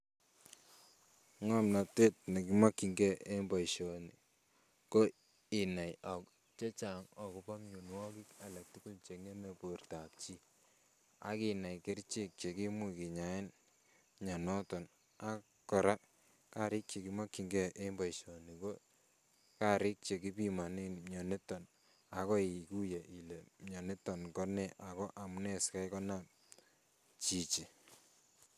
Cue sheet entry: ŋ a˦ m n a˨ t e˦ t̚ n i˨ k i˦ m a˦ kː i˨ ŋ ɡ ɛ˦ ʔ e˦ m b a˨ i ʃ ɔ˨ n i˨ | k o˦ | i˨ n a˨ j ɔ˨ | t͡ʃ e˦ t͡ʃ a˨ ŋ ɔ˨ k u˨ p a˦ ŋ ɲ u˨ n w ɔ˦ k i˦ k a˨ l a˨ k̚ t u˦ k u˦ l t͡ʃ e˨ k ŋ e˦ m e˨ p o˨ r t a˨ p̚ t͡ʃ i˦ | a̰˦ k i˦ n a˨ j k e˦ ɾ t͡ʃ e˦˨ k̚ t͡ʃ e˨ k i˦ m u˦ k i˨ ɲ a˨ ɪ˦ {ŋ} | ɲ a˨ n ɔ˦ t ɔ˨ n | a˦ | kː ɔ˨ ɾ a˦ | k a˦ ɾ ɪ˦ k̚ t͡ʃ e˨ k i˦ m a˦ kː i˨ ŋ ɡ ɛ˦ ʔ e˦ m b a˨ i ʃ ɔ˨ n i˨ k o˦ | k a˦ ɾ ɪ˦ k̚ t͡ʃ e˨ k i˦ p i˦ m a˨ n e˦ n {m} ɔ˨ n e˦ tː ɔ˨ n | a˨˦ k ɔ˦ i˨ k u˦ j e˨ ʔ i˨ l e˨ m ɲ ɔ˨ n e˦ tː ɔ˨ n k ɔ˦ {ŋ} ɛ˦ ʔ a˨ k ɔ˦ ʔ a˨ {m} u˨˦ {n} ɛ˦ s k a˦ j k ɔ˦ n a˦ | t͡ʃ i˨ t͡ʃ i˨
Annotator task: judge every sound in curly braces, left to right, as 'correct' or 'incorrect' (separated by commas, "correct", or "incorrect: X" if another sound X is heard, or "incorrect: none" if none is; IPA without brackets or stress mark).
incorrect: n, incorrect: ɲ, incorrect: n, correct, correct